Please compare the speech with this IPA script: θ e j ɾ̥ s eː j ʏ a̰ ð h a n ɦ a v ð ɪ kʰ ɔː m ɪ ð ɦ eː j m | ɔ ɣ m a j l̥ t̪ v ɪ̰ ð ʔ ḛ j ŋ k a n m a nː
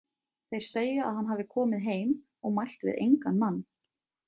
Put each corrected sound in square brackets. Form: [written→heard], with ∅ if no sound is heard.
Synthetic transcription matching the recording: θ e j ɾ̥ s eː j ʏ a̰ ð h a n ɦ a v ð ɪ kʰ ɔː m ɪ ð ɦ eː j m | ɔ ɣ m a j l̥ t̪ v ɪ̰ ð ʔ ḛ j ŋ k a n m a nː